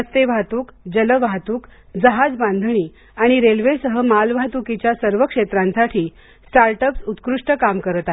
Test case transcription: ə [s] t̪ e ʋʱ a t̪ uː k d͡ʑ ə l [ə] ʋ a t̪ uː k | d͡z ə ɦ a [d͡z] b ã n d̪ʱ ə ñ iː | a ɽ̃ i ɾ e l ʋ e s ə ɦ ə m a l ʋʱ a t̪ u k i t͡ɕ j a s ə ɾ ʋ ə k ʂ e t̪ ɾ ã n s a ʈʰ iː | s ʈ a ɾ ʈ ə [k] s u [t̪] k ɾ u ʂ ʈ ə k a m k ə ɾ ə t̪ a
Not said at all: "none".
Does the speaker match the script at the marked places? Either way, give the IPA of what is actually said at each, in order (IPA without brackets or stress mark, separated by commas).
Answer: s, ə, d͡z, p, t̪